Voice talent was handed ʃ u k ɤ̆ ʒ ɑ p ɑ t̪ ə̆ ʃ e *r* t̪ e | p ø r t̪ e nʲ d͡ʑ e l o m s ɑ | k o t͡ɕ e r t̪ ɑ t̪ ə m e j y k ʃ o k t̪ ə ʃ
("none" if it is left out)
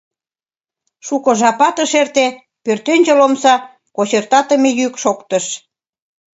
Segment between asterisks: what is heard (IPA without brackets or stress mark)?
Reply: r